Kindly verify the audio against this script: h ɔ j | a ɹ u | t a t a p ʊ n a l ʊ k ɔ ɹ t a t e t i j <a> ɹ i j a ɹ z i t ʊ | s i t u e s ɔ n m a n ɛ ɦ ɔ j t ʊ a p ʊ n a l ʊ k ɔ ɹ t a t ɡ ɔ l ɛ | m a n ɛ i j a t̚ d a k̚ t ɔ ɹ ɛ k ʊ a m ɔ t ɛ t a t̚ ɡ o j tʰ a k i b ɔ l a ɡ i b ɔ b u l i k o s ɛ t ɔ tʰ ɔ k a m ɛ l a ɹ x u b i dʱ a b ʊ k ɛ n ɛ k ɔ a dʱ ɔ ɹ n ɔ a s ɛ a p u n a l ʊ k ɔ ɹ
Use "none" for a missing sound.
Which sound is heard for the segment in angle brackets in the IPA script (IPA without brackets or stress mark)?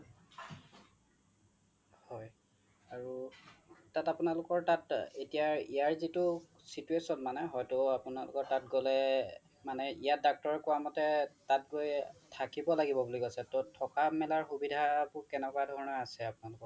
a